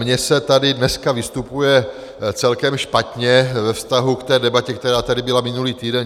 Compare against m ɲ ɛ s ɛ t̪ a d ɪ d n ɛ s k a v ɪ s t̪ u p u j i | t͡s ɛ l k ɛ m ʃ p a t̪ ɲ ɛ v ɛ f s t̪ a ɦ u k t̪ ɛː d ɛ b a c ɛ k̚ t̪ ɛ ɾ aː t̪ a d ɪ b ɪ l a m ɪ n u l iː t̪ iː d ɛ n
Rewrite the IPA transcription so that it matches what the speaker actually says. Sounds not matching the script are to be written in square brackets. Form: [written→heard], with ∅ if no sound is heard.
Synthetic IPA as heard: m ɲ ɛ s ɛ t̪ a d ɪ d n ɛ s k a v ɪ s t̪ u p u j [i→ɛ] | t͡s ɛ l k ɛ m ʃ p a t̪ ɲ ɛ v ɛ f s t̪ a ɦ u k t̪ ɛː d ɛ b a c ɛ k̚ t̪ ɛ ɾ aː t̪ a d ɪ b ɪ l a m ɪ n u l iː t̪ iː d ɛ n